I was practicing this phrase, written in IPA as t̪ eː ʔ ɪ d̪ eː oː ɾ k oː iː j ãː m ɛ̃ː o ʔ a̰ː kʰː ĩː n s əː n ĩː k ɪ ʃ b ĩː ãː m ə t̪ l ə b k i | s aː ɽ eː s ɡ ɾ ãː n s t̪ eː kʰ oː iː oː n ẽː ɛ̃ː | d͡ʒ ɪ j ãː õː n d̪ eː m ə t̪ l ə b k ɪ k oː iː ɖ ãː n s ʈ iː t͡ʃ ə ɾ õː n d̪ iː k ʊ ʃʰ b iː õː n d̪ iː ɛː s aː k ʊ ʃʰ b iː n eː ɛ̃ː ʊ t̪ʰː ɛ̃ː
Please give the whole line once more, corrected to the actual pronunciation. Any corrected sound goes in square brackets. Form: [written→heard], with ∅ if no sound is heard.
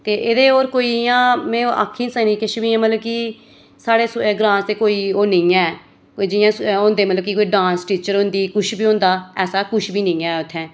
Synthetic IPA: t̪ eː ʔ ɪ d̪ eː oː ɾ k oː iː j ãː m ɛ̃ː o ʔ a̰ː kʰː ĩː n s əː n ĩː k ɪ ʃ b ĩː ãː m ə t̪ l ə b k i | s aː ɽ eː s ɡ ɾ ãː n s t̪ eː [kʰ→k] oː iː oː n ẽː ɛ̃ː | d͡ʒ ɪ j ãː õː n d̪ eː m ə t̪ l ə b k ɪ k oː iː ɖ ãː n s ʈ iː t͡ʃ ə ɾ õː n d̪ iː k ʊ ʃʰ b iː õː n d̪ [iː→aː] ɛː s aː k ʊ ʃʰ b iː n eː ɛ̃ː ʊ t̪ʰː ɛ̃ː